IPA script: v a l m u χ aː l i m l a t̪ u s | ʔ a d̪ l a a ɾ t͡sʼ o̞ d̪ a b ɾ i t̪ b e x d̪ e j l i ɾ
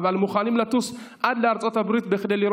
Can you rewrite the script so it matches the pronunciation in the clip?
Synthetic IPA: v a l m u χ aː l i m l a t̪ u s | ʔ a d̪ l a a ɾ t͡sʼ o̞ t̪ a b ɾ i t̪ b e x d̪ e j l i ɾ

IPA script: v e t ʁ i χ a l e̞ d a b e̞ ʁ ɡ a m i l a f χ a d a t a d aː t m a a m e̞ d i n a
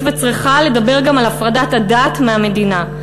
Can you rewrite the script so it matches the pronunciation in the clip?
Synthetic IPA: v e t͡s ʁ i χ a l e̞ d a b e̞ ʁ ɡ a m a l a f ʁ a d a t a d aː t m e a m e̞ d i n a

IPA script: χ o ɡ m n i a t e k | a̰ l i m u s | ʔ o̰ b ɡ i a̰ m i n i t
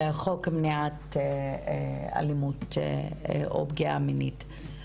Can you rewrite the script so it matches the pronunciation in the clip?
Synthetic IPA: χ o k m n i a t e | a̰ l i m u t | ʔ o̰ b ɡ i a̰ m i n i t

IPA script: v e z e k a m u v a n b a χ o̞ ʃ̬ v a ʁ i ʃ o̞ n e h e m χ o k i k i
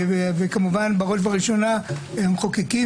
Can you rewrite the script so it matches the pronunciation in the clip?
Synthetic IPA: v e v e k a m u v a n b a ʁ o̞ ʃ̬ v a ʁ i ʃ o̞ n a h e m χ o k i k i

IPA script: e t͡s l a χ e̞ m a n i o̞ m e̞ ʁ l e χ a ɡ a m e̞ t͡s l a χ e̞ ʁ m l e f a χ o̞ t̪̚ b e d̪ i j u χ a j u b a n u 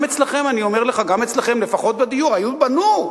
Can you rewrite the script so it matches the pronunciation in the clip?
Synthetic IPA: e t͡s l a χ e̞ m a n i o̞ m e̞ ʁ l e χ a ɡ a m e̞ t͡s l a χ e̞ m l e f a χ o̞ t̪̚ b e d̪ i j u ʁ a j u b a n u

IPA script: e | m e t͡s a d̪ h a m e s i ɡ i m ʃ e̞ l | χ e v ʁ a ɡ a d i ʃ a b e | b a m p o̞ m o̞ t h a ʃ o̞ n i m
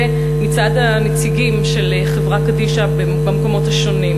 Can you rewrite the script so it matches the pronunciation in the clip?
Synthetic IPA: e | m i t͡s a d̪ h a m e t͡s i ɡ i m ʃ e̞ l | χ e v ʁ a k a d i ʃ a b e | b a m k o̞ m o̞ t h a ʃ o̞ n i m

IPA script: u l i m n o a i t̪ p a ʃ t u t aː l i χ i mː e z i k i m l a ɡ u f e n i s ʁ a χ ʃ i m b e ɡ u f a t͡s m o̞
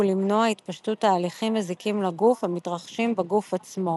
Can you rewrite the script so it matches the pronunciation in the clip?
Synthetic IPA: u l i m n o a i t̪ p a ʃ t u t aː l i χ i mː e z i k i m l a ɡ u f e m i t ʁ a χ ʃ i m b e ɡ u f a t͡s m o̞

